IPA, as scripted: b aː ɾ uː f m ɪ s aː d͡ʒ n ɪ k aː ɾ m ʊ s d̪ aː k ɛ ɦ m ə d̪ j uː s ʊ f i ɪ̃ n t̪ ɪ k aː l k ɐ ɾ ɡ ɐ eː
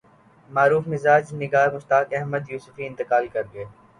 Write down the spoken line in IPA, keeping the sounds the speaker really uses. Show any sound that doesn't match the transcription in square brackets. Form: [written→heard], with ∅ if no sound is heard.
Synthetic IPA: [b→m] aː ɾ uː f m ɪ [s→z] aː d͡ʒ n ɪ [k→ɡ] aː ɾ m ʊ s [d̪→t̪] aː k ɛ ɦ m ə d̪ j uː s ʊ f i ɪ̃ n t̪ ɪ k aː l k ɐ ɾ ɡ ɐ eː